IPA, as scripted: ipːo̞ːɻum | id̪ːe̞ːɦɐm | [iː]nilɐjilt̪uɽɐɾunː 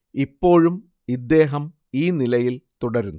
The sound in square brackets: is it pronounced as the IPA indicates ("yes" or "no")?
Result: yes